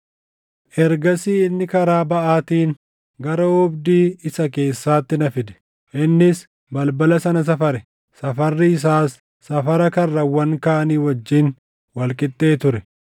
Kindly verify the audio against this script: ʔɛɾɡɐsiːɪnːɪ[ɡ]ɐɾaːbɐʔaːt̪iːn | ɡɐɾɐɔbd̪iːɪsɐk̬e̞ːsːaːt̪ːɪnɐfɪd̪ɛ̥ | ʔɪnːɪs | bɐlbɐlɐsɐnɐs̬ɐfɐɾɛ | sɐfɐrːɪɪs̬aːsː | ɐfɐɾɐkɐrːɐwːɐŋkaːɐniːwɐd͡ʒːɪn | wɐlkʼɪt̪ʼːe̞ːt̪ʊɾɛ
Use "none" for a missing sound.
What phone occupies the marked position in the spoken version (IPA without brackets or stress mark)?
k